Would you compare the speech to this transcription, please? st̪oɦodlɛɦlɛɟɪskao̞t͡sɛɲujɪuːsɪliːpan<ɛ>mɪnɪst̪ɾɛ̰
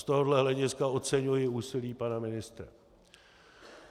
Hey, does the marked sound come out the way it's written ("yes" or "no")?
no